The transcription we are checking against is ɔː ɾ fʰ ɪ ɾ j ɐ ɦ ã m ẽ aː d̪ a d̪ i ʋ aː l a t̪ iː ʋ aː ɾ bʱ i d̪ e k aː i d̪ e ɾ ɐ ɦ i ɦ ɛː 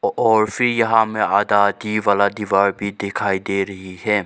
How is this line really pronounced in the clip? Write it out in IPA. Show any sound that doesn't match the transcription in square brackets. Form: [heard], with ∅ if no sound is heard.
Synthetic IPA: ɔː ɾ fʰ ɪ ɾ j ɐ ɦ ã m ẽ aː d̪ a d̪ i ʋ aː l a [d̪] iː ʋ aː ɾ bʱ i d̪ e [kʰ] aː i d̪ e ɾ ɐ ɦ i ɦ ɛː